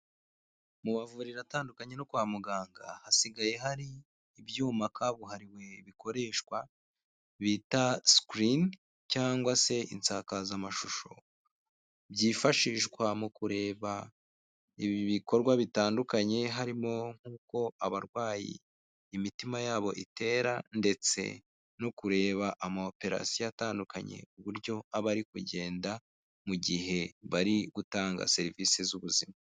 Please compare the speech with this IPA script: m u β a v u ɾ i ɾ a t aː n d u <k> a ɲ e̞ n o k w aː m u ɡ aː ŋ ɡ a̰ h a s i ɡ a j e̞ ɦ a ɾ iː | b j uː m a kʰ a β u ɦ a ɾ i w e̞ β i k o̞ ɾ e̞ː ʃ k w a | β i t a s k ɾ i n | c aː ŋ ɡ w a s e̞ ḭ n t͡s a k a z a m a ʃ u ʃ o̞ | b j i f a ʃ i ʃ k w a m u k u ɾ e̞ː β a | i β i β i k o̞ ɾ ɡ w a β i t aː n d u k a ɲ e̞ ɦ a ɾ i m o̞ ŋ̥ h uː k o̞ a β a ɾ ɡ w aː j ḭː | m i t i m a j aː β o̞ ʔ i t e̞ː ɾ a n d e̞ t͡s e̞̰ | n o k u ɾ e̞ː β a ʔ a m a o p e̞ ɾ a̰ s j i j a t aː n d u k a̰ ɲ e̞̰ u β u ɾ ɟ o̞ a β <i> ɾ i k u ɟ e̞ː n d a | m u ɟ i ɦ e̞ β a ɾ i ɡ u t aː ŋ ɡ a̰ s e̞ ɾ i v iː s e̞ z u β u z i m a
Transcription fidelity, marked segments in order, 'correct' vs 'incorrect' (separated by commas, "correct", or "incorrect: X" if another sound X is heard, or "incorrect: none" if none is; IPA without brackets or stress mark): correct, incorrect: a